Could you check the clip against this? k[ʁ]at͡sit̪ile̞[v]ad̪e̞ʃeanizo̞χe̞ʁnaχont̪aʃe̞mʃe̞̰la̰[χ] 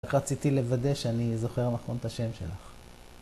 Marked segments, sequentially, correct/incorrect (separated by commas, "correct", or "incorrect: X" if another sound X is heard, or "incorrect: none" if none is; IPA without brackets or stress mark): correct, correct, correct